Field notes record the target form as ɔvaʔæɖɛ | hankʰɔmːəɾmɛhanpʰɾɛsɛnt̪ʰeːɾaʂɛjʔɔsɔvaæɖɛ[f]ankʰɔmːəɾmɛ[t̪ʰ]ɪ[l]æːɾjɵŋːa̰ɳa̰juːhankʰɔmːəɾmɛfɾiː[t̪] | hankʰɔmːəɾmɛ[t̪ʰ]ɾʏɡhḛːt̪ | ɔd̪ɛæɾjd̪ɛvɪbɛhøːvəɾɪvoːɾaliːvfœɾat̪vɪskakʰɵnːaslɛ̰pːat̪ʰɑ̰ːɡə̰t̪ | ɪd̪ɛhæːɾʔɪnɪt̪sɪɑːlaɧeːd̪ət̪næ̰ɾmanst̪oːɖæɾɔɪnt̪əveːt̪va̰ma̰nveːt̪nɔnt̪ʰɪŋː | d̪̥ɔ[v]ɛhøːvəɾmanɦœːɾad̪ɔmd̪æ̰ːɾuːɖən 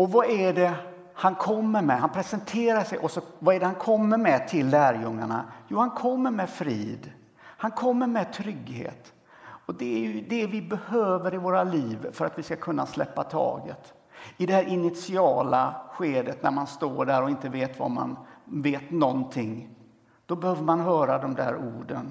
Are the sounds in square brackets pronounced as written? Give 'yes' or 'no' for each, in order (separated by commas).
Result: no, yes, no, no, yes, no